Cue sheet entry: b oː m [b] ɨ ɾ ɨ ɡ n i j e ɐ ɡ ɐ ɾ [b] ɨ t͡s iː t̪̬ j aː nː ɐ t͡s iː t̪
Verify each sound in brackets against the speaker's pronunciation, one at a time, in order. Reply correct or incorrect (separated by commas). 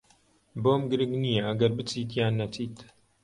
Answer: incorrect, correct